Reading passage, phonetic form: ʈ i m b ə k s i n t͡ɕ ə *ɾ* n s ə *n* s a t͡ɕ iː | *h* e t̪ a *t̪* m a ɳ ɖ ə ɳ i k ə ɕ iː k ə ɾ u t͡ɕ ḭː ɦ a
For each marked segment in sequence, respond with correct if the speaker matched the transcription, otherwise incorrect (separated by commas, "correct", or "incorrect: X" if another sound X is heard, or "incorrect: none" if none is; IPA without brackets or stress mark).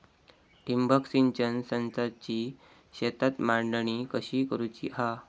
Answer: incorrect: none, correct, incorrect: ɕ, correct